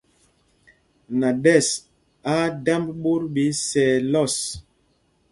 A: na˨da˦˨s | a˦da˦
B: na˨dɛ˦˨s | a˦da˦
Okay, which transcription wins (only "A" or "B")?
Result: B